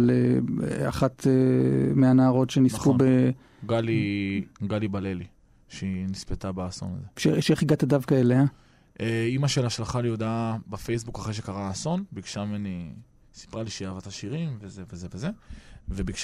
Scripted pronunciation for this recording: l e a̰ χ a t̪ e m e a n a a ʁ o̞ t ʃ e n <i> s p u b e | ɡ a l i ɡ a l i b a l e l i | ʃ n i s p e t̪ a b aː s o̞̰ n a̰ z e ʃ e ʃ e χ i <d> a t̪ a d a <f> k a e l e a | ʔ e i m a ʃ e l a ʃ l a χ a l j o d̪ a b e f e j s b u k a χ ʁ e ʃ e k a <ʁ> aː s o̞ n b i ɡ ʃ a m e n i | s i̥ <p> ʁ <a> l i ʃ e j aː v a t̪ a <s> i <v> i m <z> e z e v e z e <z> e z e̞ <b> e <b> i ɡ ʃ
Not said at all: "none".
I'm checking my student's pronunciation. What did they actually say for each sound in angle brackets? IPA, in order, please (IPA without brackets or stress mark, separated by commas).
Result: i, ɡ, v, ʁ, p, a, ʃ, ʁ, v, v, v, b